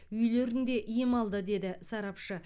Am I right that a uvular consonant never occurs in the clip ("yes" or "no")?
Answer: yes